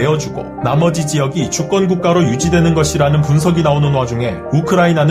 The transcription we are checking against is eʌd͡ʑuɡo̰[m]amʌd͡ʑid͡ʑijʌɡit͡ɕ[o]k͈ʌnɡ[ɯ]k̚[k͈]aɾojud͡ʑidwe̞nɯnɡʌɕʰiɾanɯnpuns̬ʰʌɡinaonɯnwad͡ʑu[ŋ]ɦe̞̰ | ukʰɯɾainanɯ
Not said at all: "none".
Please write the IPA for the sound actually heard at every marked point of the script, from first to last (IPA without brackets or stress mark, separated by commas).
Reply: n, u, u, k͈, ŋ